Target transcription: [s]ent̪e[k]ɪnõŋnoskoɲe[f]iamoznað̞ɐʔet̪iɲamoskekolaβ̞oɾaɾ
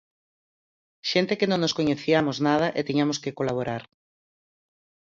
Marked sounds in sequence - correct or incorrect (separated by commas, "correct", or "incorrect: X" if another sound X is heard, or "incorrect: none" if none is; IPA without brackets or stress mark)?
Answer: incorrect: ʃ, correct, incorrect: θ